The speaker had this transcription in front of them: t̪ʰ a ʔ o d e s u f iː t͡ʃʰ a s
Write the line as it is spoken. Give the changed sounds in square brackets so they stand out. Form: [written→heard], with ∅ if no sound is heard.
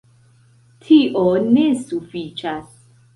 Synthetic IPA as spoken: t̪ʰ [a→i] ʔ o [d→n] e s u f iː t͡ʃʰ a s